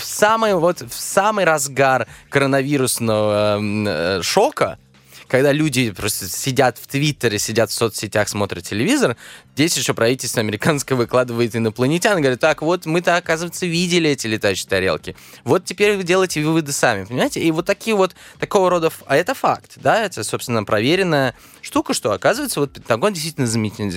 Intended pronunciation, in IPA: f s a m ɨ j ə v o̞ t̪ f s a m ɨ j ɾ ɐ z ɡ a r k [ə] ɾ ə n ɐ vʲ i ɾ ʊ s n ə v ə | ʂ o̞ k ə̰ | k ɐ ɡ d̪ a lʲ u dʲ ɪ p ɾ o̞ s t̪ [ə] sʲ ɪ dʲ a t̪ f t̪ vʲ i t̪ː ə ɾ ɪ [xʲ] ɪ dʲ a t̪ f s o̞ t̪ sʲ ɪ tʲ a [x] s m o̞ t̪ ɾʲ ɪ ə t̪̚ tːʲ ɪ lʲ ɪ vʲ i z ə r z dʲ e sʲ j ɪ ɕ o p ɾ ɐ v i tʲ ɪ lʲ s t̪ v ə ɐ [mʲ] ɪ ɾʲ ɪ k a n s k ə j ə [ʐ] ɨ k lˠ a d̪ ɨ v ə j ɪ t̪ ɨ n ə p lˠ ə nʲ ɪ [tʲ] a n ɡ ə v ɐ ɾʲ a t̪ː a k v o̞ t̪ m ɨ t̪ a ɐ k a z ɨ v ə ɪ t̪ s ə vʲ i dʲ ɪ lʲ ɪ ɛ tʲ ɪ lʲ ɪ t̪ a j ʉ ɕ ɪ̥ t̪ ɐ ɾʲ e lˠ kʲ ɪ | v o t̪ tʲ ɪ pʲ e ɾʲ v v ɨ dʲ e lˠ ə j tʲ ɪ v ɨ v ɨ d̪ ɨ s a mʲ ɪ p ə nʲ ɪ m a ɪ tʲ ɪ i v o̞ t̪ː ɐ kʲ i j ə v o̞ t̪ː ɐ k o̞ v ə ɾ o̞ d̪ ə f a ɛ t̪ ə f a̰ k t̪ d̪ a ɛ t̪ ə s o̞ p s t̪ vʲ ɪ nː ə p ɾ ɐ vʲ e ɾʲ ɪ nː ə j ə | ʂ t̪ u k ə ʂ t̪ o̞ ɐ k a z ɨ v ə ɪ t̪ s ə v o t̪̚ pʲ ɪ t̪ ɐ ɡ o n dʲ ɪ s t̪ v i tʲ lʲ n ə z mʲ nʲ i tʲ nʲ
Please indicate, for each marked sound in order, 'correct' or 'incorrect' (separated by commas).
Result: correct, correct, incorrect, correct, correct, incorrect, correct